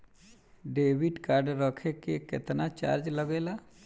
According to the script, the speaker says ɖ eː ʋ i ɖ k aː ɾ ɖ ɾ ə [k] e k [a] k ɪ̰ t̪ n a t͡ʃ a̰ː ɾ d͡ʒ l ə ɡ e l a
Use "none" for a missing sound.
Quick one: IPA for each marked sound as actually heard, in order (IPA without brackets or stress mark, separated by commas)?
kʰ, e